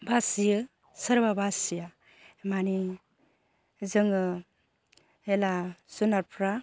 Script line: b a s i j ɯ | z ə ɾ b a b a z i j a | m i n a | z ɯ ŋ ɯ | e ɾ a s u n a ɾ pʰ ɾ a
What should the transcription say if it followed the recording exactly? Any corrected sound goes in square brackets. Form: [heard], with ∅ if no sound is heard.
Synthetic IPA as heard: b a s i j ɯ | [s] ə ɾ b a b a [s] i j a | m [a] n [i] | z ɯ ŋ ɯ | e [l] a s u n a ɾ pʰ ɾ a